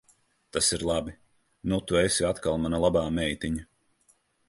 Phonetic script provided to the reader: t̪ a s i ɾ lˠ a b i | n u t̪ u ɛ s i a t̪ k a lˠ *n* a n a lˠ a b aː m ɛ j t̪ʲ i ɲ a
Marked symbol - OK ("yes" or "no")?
no